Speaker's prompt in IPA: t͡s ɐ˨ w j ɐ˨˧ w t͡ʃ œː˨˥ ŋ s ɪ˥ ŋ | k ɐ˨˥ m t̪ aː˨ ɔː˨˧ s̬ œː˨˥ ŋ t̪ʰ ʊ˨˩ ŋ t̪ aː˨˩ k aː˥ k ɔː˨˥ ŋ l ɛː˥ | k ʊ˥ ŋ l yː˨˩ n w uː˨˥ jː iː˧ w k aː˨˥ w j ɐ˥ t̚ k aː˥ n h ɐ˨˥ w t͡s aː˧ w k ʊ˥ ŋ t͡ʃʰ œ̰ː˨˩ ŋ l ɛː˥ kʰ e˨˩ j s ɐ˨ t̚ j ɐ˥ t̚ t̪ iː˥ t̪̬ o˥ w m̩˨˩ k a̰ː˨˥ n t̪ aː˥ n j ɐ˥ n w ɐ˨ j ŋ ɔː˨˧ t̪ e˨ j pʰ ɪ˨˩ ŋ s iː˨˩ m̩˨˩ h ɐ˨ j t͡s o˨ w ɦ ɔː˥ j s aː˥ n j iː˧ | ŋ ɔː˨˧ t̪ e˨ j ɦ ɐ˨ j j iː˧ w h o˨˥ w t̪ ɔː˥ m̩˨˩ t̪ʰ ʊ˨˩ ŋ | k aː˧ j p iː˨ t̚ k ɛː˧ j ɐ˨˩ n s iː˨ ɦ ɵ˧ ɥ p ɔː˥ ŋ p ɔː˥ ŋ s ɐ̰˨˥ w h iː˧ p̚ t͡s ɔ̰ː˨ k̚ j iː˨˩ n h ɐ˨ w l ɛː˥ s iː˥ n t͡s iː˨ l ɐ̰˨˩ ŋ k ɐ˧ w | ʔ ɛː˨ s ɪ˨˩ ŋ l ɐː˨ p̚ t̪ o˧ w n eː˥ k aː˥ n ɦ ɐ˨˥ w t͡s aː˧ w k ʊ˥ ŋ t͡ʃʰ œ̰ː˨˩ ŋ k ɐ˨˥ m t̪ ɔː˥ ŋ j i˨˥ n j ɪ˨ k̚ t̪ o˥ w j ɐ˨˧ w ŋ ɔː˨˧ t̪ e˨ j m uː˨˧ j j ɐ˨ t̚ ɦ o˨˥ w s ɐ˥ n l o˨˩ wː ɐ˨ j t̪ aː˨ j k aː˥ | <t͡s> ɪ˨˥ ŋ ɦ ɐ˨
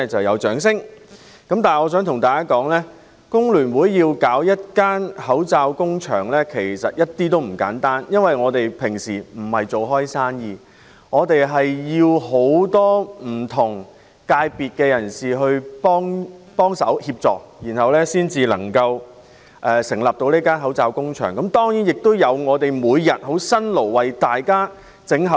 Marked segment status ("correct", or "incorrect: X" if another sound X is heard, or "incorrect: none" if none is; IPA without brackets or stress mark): correct